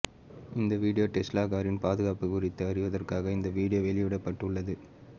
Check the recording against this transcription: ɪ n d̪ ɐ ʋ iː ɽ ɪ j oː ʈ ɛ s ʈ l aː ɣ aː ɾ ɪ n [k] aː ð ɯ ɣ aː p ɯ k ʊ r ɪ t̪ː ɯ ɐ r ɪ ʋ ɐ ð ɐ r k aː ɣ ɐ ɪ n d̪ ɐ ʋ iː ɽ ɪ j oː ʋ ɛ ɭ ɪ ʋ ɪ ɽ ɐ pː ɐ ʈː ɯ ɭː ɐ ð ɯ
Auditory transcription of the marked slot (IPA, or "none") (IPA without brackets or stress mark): p